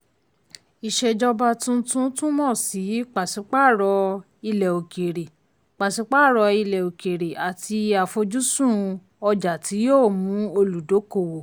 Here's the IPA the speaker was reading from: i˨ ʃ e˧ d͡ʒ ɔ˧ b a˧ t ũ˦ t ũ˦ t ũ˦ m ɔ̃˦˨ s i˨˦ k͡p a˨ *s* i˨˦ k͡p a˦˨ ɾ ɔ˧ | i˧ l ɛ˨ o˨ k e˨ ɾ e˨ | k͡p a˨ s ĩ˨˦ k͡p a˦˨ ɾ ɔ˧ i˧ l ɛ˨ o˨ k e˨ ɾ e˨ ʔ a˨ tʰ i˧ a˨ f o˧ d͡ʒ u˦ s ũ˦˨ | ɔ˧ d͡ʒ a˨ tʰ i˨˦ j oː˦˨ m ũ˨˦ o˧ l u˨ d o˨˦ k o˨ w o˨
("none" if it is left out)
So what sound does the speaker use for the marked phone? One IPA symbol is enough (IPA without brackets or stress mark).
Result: s